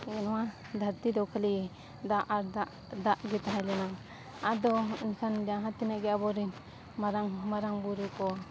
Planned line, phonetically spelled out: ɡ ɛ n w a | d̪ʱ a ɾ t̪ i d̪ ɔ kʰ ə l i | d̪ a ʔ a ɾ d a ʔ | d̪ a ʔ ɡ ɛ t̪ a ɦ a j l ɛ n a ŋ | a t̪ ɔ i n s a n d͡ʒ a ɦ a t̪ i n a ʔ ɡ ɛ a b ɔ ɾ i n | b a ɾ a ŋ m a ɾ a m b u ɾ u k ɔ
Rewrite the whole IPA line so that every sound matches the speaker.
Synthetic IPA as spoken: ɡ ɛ n w a | d̪ʱ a ɾ t̪ i d̪ ɔ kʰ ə l i | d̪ a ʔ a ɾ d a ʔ | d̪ a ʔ ɡ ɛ t̪ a ɦ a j l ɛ n a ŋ | a d̪ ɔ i n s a n d͡ʒ a ɦ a t̪ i n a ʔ ɡ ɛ a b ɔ ɾ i n | m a ɾ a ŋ m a ɾ a ŋ b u ɾ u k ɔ